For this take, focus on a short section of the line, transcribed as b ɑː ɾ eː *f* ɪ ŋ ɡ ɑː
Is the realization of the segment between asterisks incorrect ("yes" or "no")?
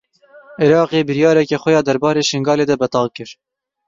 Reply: yes